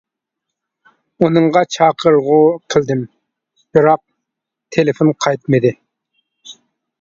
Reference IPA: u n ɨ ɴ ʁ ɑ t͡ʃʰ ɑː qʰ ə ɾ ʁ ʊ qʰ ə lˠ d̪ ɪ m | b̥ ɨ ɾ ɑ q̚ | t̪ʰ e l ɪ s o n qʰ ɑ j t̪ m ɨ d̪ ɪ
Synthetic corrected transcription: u n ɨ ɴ ʁ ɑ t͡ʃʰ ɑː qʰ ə ɾ ʁ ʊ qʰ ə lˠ d̪ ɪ m | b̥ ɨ ɾ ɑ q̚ | t̪ʰ e l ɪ f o n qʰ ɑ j t̪ m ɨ d̪ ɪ